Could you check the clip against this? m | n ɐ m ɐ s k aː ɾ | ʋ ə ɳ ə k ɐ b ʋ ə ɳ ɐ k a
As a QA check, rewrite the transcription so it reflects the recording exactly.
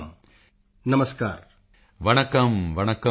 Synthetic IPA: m | n ɐ m ɐ s k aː ɾ | ʋ ɐ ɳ ɐ k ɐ m ʋ ɐ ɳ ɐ k ɐ